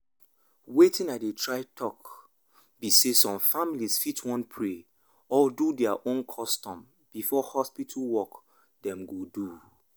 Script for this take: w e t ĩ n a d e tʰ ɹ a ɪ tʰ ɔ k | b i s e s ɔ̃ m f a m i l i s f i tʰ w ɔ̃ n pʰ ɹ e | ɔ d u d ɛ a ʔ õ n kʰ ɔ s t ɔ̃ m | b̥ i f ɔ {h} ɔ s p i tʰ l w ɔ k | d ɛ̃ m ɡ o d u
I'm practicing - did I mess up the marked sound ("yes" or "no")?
no